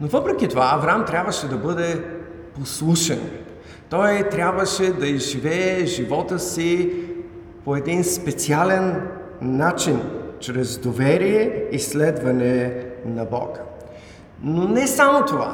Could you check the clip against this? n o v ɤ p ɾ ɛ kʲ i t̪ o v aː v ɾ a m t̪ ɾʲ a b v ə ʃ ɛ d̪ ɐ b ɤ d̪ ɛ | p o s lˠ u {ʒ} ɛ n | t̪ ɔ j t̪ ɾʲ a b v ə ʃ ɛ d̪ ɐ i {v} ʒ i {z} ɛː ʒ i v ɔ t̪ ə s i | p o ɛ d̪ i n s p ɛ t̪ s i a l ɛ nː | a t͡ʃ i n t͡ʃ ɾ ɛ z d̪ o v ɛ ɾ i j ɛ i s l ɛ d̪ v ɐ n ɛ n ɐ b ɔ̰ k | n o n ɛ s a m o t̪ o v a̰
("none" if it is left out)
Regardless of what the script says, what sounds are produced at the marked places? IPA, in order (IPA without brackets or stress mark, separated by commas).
ʃ, z, v